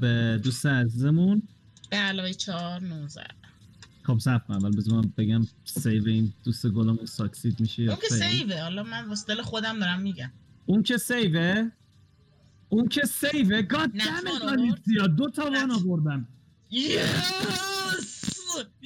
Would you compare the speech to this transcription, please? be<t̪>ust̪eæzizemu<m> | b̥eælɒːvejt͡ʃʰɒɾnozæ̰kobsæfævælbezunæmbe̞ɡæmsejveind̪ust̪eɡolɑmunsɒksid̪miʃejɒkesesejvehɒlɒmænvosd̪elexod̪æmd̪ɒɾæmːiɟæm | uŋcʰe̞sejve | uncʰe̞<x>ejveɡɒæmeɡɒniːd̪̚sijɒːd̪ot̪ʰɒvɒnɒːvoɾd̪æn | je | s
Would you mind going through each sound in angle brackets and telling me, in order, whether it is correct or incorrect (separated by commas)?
incorrect, incorrect, incorrect